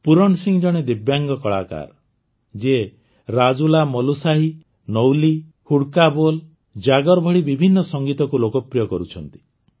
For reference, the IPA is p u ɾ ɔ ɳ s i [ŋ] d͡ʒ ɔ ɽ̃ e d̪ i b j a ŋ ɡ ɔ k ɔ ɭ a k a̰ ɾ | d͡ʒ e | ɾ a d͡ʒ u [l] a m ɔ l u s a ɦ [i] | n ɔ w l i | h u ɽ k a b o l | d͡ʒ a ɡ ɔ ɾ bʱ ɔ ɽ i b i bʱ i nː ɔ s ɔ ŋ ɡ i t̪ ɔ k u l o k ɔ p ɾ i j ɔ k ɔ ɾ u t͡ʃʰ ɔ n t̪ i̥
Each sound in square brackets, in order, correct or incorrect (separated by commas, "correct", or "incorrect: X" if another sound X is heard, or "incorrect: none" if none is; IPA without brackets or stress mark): correct, correct, correct